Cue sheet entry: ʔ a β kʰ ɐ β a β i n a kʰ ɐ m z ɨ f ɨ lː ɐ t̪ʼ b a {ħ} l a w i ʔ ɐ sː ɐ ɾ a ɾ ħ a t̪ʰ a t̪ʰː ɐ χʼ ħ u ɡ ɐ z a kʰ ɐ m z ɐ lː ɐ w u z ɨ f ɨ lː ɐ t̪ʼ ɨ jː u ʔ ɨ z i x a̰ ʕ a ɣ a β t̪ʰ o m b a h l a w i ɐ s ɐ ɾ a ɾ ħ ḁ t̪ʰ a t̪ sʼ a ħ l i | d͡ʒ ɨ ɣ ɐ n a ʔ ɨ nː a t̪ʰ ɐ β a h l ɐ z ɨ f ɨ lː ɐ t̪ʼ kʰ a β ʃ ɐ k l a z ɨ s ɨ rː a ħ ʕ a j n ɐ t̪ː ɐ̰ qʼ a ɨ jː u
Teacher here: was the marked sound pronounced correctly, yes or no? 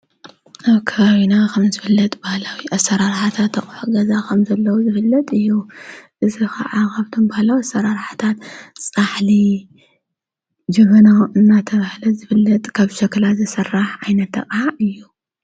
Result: no